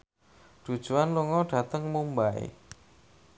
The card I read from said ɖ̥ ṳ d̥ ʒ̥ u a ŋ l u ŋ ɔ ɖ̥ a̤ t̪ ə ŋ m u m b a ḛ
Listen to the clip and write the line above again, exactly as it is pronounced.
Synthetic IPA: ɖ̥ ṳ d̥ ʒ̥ u a n l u ŋ ɔ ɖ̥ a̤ t̪ ə ŋ m u m b a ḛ

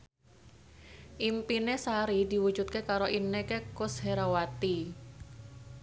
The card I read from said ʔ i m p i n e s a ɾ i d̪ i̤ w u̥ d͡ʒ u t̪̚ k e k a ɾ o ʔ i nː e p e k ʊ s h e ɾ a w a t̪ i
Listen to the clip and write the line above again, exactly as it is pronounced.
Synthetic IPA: ʔ i m p i n e s a ɾ i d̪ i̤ w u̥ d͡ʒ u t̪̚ k e k a ɾ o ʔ i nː e k e k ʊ s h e ɾ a w a t̪ i

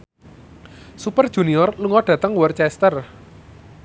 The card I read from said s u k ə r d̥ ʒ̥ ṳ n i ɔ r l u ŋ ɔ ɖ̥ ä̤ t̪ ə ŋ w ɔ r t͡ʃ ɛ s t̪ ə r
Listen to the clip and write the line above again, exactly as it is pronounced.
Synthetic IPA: s u p ə r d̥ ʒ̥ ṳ n i ɔ r l u ŋ ɔ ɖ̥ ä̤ t̪ ə ŋ w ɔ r t͡ʃ ɛ s t̪ ə r

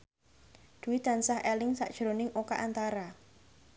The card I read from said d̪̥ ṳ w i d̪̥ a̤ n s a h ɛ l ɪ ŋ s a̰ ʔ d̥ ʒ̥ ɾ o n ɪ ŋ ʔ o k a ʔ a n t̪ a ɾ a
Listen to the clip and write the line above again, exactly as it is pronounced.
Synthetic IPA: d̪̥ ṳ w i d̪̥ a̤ n s a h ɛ l ɪ ŋ s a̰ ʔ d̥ ʒ̥ ɾ o n ɪ ŋ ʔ o k a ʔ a n t̪ a ɾ a

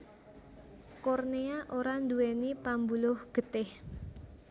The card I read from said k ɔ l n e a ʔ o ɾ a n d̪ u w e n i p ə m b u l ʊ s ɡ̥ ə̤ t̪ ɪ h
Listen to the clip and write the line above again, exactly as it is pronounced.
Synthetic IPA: k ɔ r n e a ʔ o ɾ a n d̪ u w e n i p a m b u l ʊ h ɡ̥ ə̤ t̪ ɪ h

